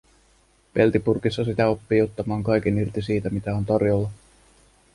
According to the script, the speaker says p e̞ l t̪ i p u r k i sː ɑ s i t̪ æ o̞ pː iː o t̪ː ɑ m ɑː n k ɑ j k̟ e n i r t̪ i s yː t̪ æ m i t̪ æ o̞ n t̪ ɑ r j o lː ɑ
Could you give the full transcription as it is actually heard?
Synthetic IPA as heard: p e̞ l t̪ i p u r k i sː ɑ s i t̪ æ o̞ pː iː o t̪ː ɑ m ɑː ŋ k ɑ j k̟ e n i r t̪ i s iː t̪ æ m i t̪ æ o̞ n t̪ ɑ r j o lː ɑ